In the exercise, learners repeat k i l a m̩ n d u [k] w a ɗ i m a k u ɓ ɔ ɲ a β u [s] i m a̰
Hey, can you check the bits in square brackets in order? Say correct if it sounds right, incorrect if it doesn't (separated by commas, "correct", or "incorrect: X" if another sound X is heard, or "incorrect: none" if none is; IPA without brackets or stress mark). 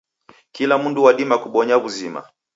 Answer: incorrect: none, incorrect: z